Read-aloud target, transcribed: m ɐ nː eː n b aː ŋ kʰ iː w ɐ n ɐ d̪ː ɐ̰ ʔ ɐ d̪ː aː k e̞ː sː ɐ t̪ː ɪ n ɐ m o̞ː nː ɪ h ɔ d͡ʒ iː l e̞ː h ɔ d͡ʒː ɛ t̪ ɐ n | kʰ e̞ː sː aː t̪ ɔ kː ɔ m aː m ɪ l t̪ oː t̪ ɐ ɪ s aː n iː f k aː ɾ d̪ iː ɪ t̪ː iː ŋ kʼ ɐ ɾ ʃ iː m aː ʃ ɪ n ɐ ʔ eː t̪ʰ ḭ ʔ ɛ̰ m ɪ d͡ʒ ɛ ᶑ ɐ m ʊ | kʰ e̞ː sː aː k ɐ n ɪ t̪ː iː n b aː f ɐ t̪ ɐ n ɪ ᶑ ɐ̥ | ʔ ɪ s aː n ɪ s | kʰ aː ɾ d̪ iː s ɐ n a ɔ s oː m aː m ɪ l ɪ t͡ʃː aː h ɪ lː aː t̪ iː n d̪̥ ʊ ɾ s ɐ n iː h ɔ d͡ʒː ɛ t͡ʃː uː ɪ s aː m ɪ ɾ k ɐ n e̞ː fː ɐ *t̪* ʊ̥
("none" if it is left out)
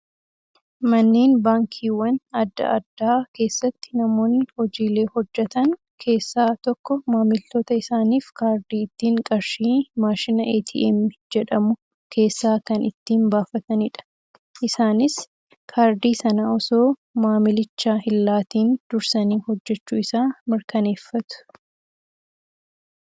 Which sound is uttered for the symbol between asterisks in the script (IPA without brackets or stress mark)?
t̪